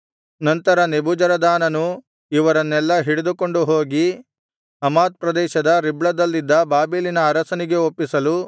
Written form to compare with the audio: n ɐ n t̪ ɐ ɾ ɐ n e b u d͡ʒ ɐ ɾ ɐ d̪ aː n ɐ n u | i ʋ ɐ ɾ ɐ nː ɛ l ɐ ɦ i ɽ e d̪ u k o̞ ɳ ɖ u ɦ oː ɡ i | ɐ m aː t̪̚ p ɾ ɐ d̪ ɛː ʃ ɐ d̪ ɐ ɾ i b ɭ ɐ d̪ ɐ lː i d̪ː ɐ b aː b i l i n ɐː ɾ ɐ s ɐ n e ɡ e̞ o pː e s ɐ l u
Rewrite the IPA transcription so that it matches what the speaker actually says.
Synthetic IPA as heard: n ɐ n t̪ ɐ ɾ ɐ n e b u d͡ʒ ɐ ɾ ɐ d̪ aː n ɐ n u | i ʋ ɐ ɾ ɐ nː ɛ lː ɐ ɦ i ɽ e d̪ u k o̞ ɳ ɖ u ɦ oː ɡ i | ɐ m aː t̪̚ p ɾ ɐ d̪ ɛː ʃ ɐ d̪ ɐ ɾ i b ɭ ɐ d̪ ɐ lː i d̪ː ɐ b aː b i l i n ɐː ɾ ɐ s ɐ n i ɡ e̞ o pː i s ɐ l u